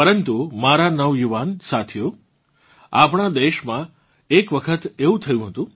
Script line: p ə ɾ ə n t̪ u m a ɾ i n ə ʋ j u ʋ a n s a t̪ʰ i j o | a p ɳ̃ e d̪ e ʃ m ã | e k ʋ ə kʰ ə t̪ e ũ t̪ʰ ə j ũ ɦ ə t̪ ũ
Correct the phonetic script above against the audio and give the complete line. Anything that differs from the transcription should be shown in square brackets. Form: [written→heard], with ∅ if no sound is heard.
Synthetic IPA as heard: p ə ɾ ə n t̪ u m a ɾ [i→a] n ə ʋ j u ʋ a n s a t̪ʰ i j o | a p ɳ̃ [e→a] d̪ e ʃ m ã | e k ʋ ə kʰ ə t̪ e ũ t̪ʰ ə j ũ ɦ ə t̪ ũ